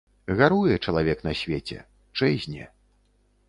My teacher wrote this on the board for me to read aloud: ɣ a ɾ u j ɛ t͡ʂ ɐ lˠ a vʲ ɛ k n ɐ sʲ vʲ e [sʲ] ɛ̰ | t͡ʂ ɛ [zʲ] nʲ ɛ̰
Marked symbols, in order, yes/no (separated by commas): no, yes